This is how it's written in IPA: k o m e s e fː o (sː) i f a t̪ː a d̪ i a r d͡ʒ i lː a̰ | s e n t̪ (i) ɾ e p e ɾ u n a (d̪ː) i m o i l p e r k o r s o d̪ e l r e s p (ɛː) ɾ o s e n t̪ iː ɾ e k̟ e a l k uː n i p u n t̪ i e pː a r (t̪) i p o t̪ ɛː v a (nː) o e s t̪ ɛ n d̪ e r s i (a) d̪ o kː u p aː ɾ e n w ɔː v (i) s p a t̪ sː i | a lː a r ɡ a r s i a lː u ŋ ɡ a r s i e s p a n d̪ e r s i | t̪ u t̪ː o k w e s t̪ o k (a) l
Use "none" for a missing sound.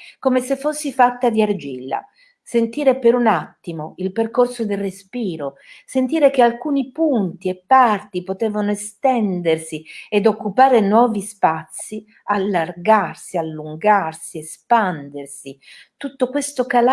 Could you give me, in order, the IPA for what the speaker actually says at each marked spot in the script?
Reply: sː, iː, t̪ː, iː, t̪, n, e, i, a

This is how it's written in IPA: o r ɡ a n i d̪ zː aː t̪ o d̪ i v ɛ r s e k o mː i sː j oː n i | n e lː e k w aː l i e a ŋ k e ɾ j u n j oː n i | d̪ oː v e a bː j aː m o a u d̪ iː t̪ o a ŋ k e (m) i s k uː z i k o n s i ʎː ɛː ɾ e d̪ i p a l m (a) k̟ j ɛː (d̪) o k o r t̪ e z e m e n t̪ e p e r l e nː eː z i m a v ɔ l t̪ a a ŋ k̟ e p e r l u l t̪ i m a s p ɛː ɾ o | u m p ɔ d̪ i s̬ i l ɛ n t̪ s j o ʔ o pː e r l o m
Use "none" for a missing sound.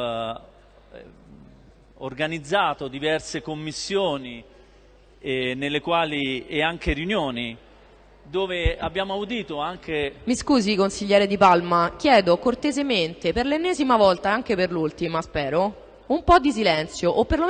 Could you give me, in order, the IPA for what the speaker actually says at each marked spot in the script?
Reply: m, a, d̪

